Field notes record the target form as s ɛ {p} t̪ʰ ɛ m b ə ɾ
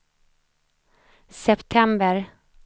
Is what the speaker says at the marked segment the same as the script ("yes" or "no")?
yes